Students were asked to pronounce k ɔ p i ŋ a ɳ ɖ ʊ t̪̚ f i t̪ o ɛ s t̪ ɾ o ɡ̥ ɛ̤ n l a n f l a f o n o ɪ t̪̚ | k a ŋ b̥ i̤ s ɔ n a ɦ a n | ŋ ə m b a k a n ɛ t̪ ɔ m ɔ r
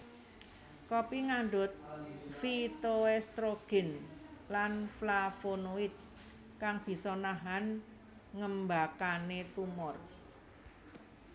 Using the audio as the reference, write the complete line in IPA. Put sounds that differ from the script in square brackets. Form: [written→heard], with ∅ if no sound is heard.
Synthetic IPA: k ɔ p i ŋ a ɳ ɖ ʊ t̪̚ f i t̪ o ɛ s t̪ ɾ o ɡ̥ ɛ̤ n l a n f l a f o n o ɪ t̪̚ | k a ŋ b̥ i̤ s ɔ n a ɦ a n | ŋ ə m b a k a n [ɛ→e] t̪ [ɔ→u] m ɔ r